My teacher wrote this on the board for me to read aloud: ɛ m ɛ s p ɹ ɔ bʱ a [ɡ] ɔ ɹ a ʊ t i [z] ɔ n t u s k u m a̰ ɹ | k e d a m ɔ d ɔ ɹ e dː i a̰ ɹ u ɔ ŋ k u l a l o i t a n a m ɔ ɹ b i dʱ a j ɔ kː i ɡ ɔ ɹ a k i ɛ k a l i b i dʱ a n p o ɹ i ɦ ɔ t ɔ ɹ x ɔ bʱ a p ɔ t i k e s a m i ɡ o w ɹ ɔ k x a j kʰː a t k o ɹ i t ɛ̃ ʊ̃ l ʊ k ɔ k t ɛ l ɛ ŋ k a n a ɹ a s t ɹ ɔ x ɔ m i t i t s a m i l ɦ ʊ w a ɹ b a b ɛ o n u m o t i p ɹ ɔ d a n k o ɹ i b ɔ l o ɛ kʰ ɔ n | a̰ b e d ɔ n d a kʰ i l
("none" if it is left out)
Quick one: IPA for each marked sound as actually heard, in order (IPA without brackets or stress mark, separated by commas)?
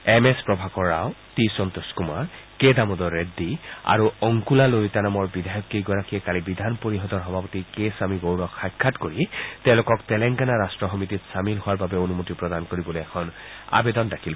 k, s